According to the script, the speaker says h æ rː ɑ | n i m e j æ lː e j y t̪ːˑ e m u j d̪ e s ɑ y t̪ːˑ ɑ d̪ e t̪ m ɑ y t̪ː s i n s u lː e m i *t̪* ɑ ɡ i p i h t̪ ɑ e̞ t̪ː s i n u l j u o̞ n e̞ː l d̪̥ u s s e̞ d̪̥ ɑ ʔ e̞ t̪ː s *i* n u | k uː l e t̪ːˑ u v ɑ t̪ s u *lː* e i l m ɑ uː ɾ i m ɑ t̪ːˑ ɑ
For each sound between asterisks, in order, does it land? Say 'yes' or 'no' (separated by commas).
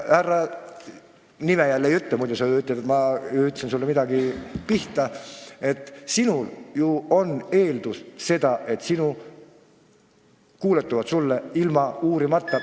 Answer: no, yes, yes